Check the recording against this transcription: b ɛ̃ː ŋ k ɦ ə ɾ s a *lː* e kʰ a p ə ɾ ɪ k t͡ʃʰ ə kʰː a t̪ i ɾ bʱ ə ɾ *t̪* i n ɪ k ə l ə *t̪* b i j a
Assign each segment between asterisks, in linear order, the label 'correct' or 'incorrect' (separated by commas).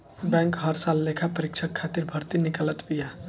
correct, correct, correct